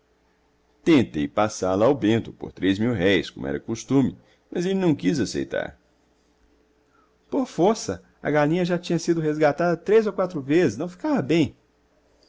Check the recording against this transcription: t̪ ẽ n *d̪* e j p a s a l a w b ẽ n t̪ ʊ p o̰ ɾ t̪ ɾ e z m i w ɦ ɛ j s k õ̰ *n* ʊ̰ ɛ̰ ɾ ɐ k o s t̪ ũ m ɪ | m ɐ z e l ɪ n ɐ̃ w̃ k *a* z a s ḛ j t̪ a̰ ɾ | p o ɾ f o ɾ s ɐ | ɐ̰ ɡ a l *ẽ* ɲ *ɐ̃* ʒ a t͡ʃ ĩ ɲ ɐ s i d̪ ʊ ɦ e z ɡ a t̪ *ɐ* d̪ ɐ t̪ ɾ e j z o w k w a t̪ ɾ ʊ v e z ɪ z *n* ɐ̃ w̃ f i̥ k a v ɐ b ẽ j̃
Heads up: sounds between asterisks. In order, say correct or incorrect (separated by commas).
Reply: incorrect, incorrect, incorrect, incorrect, incorrect, incorrect, correct